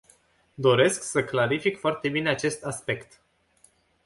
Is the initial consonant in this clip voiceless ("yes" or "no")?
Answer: no